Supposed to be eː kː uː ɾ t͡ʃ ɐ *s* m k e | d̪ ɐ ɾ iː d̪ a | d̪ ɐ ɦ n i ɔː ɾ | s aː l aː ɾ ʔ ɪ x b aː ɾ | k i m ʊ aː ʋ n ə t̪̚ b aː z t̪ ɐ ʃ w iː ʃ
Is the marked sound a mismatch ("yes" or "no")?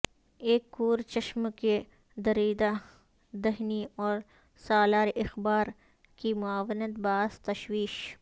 yes